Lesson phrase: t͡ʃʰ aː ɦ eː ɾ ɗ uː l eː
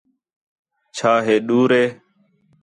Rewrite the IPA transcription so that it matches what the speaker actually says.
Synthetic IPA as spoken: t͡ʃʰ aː ɦ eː ɗ uː ɾ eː